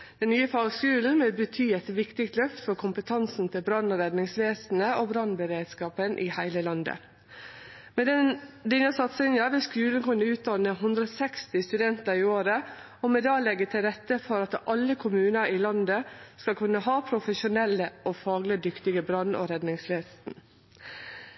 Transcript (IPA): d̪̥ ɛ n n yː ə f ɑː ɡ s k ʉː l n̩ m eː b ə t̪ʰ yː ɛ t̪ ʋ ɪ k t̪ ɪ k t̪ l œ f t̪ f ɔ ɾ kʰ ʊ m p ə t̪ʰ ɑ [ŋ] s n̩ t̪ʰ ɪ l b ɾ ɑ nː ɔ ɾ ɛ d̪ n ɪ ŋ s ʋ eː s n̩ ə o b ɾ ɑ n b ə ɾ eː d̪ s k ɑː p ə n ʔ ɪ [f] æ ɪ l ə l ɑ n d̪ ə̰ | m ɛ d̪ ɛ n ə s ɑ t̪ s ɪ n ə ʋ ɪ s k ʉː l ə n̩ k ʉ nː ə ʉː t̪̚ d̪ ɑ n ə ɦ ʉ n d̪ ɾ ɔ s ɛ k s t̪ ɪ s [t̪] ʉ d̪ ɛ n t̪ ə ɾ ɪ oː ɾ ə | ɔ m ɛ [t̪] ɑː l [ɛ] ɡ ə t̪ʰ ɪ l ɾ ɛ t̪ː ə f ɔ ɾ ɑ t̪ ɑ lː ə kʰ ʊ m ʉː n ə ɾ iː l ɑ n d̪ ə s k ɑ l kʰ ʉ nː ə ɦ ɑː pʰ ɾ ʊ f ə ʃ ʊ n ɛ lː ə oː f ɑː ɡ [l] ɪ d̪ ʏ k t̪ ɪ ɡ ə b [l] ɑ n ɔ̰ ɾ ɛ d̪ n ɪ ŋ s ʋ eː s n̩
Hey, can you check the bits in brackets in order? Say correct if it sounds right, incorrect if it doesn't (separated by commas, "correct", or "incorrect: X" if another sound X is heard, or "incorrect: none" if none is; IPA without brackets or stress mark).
incorrect: n, incorrect: h, correct, incorrect: d̪, correct, correct, incorrect: ɾ